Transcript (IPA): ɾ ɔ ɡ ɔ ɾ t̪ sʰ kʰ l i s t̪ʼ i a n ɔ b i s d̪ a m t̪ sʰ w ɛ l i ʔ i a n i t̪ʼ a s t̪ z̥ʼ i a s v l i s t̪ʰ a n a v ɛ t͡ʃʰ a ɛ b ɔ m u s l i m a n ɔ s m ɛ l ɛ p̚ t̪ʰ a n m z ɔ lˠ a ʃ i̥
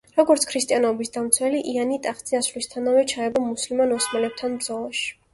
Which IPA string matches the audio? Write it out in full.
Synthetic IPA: ɾ ɔ ɡ ɔ ɾ t̪ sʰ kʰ ɾ i s t̪ʼ i a n ɔ b i s d̪ a m t̪ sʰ w ɛ l i ʔ i a n i t̪ʼ a χ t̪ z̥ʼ i a s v l i s t̪ʰ a n a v ɛ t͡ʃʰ a ɛ b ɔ m u s l i m a n ɔ s m ɛ l ɛ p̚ t̪ʰ a n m z ɔ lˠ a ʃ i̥